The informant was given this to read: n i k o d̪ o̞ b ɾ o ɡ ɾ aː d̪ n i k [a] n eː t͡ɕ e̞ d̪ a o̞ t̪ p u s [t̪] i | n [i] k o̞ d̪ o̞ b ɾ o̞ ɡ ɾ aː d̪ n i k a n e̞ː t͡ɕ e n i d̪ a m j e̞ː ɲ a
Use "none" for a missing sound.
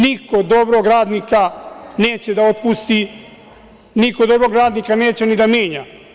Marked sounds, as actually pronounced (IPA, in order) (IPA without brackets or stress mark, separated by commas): a, t̪, i